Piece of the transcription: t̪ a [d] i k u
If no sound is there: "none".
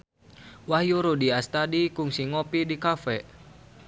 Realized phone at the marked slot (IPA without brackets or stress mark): d